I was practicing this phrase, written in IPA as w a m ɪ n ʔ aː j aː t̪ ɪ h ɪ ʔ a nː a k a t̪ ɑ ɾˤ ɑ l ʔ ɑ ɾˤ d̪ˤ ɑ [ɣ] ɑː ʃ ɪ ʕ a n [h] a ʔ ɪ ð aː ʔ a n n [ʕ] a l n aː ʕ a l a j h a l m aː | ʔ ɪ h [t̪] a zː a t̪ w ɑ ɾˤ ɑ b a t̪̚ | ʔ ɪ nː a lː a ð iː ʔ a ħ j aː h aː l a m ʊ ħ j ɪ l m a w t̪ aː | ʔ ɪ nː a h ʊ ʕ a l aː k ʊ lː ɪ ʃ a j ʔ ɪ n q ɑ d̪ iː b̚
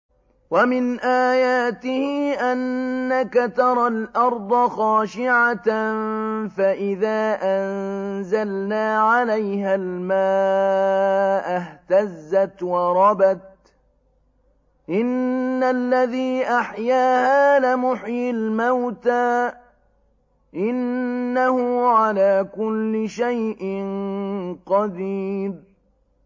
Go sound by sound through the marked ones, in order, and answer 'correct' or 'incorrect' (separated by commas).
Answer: incorrect, incorrect, incorrect, correct